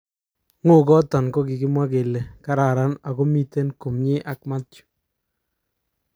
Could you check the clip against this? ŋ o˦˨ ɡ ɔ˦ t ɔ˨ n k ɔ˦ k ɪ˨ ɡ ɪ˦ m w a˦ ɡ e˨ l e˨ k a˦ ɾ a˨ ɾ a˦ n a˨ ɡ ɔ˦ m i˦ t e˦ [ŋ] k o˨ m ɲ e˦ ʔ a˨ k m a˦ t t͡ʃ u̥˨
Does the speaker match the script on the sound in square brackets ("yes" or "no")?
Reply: no